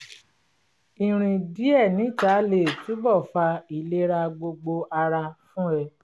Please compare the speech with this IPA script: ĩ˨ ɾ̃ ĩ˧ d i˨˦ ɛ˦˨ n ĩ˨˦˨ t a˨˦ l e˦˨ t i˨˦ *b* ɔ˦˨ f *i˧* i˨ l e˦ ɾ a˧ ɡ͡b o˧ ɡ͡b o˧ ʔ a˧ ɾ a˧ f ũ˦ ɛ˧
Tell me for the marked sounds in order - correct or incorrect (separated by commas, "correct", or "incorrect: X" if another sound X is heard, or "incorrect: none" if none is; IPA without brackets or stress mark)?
correct, incorrect: a˧